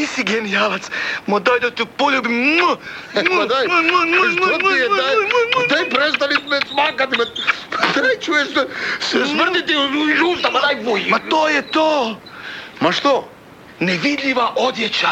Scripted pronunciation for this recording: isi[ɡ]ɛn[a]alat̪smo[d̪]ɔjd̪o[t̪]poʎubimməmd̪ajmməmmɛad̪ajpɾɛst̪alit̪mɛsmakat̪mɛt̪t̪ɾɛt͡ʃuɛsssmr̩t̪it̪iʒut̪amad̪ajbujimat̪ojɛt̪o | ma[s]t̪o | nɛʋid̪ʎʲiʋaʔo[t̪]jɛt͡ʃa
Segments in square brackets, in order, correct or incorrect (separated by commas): correct, incorrect, correct, correct, incorrect, incorrect